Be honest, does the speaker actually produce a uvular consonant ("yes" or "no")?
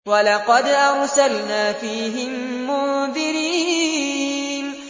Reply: yes